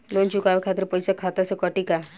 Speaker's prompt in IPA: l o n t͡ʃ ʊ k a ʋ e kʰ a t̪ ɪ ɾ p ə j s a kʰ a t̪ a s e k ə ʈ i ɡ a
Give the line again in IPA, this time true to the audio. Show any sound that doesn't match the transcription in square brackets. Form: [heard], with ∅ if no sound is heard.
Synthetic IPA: l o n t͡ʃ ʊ k a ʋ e kʰ a t̪ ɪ ɾ p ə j s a kʰ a t̪ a s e k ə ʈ i [k] a